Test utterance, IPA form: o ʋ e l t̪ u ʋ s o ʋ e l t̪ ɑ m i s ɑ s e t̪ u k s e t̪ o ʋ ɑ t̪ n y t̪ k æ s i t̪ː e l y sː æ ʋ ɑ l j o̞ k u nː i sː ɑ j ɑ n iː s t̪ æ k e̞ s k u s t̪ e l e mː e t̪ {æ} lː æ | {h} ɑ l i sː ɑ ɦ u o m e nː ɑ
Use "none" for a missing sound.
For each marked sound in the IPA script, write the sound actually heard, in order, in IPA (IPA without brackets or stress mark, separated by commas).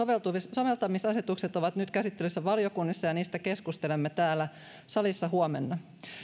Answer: æː, s